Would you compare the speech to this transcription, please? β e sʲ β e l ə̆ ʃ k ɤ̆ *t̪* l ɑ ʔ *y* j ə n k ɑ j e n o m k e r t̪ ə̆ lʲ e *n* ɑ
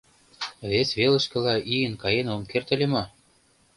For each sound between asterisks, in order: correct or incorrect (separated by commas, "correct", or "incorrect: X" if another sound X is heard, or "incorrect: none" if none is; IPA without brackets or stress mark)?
incorrect: none, incorrect: i, incorrect: m